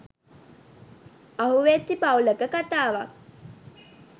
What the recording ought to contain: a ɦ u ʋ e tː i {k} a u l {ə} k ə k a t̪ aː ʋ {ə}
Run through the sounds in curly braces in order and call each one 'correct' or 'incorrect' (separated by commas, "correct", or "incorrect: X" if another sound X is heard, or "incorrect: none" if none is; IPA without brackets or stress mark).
incorrect: p, correct, incorrect: a